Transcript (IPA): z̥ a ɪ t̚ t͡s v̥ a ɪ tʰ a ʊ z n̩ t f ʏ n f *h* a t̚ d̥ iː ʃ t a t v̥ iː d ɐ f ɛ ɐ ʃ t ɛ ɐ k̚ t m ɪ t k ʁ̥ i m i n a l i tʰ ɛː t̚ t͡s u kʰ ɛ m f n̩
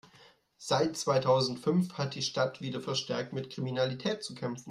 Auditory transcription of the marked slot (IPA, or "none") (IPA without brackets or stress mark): h